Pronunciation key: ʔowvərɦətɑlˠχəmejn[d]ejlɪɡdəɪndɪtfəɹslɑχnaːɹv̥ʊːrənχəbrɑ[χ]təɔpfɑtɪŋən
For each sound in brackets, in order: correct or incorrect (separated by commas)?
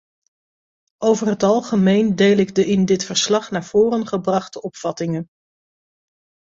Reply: correct, correct